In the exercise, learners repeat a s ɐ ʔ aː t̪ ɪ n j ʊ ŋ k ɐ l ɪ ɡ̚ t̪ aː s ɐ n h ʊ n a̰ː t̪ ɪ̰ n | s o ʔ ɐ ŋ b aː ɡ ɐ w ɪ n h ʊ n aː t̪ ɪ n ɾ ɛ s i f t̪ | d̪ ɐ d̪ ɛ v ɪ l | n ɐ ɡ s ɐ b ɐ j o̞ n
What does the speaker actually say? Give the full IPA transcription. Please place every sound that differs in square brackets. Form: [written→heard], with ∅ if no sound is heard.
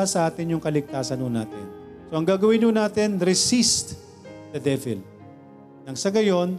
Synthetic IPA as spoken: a s ɐ ʔ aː t̪ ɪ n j ʊ ŋ k ɐ l ɪ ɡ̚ t̪ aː s ɐ n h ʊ n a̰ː t̪ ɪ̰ n | s o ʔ ɐ ŋ [b→ɡ] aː ɡ ɐ w ɪ n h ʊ n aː t̪ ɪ n ɾ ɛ s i [f→s] t̪ | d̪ ɐ d̪ ɛ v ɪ l | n ɐ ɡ s ɐ [b→ɡ] ɐ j o̞ n